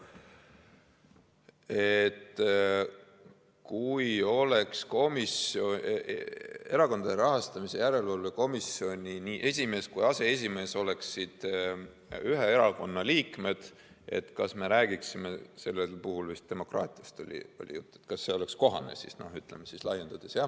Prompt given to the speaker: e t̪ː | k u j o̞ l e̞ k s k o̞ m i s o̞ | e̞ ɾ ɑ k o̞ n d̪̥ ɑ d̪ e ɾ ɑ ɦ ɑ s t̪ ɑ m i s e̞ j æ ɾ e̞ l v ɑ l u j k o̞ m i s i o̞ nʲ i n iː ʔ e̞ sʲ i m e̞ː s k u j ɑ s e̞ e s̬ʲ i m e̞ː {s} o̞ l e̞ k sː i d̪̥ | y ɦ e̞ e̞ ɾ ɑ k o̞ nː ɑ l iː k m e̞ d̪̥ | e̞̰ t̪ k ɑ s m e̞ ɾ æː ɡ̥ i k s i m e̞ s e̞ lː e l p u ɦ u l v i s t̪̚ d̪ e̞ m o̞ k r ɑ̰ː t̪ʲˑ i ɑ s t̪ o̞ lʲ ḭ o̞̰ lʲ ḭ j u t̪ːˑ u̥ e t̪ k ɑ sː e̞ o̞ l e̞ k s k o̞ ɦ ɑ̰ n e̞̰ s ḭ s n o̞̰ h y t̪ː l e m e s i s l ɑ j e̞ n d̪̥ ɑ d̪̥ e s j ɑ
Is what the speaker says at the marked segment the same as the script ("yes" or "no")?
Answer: yes